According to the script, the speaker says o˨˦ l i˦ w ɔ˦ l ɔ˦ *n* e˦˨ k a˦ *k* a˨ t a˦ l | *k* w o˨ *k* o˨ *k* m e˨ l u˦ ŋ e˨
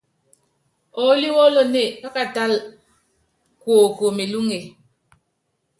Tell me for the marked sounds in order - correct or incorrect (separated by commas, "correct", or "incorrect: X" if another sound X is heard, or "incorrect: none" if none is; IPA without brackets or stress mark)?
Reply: correct, correct, correct, correct, incorrect: none